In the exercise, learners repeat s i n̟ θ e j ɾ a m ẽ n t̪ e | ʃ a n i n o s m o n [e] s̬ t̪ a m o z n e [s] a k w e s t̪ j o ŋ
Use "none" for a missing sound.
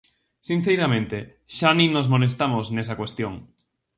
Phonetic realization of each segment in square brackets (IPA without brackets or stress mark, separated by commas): e, s